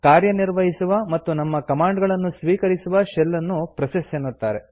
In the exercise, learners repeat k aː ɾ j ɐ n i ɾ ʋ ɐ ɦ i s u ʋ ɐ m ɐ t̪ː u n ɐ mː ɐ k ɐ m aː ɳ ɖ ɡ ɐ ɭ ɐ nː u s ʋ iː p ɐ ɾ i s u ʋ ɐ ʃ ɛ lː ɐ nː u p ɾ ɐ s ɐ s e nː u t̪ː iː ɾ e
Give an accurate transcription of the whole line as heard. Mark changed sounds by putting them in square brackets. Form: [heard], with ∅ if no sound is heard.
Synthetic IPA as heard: k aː ɾ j ɐ n i ɾ ʋ ɐ ɦ i s u ʋ ɐ m ɐ t̪ː u n ɐ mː ɐ k ɐ m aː ɳ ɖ ɡ ɐ ɭ ɐ nː u s ʋ iː [k] ɐ ɾ i s u ʋ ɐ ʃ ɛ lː ɐ nː u p ɾ ɐ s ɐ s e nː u t̪ː [aː] ɾ e

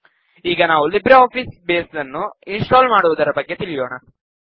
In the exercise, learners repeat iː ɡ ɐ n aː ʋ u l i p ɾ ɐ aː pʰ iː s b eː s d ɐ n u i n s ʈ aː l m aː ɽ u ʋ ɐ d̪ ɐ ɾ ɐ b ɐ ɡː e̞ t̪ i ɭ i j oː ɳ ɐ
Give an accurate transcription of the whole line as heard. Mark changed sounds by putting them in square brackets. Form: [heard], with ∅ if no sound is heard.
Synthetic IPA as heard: iː ɡ ɐ n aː ʋ u l i [b] ɾ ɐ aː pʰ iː s b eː s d ɐ [nː] u i n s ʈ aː l m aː ɽ u ʋ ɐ d̪ ɐ ɾ ɐ b ɐ ɡː e̞ t̪ i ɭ i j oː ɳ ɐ

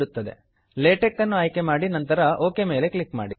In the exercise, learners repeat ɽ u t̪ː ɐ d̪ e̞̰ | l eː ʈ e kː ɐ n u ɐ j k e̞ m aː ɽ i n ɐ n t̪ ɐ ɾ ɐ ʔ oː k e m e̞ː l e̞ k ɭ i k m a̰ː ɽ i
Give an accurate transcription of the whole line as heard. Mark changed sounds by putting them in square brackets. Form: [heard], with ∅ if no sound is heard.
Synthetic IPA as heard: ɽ u t̪ː ɐ d̪ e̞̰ | l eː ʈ e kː ɐ [nː] u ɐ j k e̞ m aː ɽ i n ɐ n t̪ ɐ ɾ ɐ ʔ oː k e m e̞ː l e̞ k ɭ i k m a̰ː ɽ i

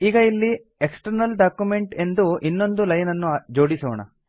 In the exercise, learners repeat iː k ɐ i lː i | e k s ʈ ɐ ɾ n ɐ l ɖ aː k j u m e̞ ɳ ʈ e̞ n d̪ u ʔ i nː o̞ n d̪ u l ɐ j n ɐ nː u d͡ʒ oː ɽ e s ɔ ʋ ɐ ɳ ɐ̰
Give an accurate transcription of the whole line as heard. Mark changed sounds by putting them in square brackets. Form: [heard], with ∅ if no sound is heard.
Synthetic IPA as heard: iː [ɡ] ɐ i lː i | e k s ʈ ɐ ɾ n ɐ l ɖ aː k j u m e̞ ɳ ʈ e̞ n d̪ u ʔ i nː o̞ n d̪ u l ɐ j n ɐ nː u d͡ʒ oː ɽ [i] s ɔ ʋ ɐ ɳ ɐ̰

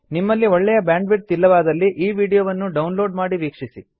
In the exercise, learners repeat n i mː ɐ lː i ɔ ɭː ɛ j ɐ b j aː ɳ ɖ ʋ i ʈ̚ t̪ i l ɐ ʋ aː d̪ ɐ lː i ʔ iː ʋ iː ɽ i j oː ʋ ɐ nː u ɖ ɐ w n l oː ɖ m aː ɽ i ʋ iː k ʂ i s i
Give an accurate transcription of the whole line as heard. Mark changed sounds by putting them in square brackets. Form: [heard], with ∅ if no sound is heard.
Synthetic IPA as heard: n i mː ɐ lː i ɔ ɭː ɛ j ɐ b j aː ɳ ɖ ʋ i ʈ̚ t̪ i [lː] ɐ ʋ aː d̪ ɐ lː i ʔ iː ʋ iː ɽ i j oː ʋ ɐ nː u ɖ ɐ w n l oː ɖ m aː ɽ i ʋ iː k ʂ i s i

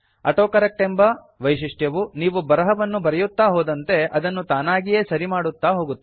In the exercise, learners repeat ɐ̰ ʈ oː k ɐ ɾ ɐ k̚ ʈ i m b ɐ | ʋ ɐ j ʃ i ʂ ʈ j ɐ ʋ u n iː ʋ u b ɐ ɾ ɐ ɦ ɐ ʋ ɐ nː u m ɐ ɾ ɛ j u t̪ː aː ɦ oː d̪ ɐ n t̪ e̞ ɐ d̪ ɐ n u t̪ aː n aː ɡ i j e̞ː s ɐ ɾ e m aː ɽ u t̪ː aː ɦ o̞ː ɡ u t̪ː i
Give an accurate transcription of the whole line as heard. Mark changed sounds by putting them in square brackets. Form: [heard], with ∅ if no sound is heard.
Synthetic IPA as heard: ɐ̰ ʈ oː k ɐ ɾ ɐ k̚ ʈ [e] m b ɐ | ʋ ɐ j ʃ i ʂ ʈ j ɐ ʋ u n iː ʋ u b ɐ ɾ ɐ ɦ ɐ ʋ ɐ nː u [b] ɐ ɾ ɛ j u t̪ː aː ɦ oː d̪ ɐ n t̪ e̞ ɐ d̪ ɐ [nː] u t̪ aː n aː ɡ i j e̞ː s ɐ ɾ [i] m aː ɽ u t̪ː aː ɦ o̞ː ɡ u t̪ː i

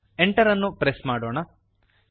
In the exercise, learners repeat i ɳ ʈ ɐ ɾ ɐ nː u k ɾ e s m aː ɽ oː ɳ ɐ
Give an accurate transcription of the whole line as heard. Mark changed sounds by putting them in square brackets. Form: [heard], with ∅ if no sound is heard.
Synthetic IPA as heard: [e] ɳ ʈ ɐ ɾ ɐ nː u [p] ɾ e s m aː ɽ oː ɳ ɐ

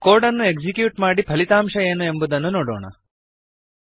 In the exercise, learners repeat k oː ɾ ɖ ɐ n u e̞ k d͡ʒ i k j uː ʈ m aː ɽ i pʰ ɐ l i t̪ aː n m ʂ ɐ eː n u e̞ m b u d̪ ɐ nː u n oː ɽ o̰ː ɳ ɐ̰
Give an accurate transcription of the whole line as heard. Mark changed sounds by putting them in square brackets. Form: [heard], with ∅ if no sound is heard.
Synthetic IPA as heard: k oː ɾ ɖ ɐ [nː] u e̞ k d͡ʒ i k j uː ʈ m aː ɽ i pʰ ɐ l i t̪ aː [∅] m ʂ ɐ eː n u e̞ m b u d̪ ɐ nː u n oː ɽ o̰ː ɳ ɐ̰

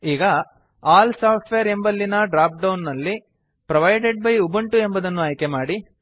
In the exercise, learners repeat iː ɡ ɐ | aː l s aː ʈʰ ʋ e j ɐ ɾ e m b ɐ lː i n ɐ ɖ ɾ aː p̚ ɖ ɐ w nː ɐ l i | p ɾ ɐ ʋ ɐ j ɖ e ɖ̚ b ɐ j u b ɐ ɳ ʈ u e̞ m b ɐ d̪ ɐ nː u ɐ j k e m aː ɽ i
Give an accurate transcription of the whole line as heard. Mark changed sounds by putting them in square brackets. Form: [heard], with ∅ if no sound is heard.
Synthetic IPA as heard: iː ɡ ɐ | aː l s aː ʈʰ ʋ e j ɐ ɾ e m b ɐ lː i n ɐ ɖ ɾ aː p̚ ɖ ɐ w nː ɐ [lː] i | p ɾ ɐ ʋ ɐ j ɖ e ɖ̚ b ɐ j u b ɐ ɳ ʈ u e̞ m b ɐ d̪ ɐ nː u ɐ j k e m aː ɽ i

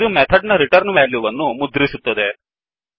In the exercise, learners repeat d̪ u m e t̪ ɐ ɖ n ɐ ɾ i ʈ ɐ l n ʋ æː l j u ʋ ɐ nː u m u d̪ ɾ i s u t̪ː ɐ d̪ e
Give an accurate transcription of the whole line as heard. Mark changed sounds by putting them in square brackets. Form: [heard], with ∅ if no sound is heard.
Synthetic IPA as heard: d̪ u m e [t̪ʰ] ɐ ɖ n ɐ ɾ i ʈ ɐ [ɾ] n ʋ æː l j u ʋ ɐ nː u m u d̪ ɾ i s u t̪ː ɐ d̪ e

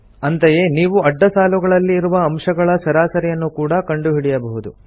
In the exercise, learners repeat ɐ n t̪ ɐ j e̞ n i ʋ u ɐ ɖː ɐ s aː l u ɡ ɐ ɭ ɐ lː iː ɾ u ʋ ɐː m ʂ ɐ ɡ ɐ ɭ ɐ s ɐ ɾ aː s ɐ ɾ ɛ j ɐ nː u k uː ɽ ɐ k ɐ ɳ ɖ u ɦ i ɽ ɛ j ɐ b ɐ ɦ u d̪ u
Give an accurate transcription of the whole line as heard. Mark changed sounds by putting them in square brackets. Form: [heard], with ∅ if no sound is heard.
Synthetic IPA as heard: ɐ n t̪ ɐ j e̞ n [iː] ʋ u ɐ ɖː ɐ s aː l u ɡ ɐ ɭ ɐ lː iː ɾ u ʋ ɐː m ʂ ɐ ɡ ɐ ɭ ɐ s ɐ ɾ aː s ɐ ɾ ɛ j ɐ nː u k uː ɽ ɐ k ɐ ɳ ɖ u ɦ i ɽ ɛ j ɐ b ɐ ɦ u d̪ u

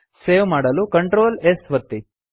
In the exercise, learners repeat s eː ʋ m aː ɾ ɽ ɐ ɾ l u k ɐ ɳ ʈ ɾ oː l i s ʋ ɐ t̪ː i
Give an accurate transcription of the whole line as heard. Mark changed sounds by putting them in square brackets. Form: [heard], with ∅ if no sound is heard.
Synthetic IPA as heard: s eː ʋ m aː [∅] ɽ ɐ [∅] l u k ɐ ɳ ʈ ɾ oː l [e] s ʋ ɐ t̪ː i

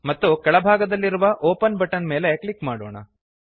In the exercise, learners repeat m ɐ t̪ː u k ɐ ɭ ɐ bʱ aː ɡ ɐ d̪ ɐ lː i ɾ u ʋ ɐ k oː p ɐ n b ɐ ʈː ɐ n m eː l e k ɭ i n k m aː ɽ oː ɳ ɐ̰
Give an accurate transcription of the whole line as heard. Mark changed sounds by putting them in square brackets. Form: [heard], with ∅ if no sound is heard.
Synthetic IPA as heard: m ɐ t̪ː u k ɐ ɭ ɐ bʱ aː ɡ ɐ d̪ ɐ lː i ɾ u ʋ ɐ [ʔ] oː p ɐ n b ɐ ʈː ɐ n m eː l e k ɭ i [∅] k m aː ɽ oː ɳ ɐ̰

